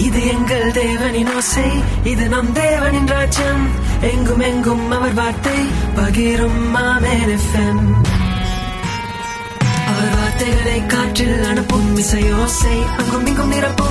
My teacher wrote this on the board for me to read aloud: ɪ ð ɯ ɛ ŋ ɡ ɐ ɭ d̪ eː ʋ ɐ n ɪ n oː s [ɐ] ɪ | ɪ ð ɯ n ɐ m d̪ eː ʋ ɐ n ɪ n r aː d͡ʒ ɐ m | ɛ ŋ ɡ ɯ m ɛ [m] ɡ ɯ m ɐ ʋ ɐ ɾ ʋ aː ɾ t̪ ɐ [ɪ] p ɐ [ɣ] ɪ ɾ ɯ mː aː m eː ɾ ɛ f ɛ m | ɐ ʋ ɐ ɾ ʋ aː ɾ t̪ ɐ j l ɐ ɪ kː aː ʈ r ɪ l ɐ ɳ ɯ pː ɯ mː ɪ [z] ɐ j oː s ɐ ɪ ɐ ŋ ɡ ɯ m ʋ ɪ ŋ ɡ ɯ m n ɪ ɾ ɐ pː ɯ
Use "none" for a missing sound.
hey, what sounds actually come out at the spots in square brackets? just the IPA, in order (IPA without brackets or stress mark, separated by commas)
ɐ, ŋ, ɪ, ɣ, s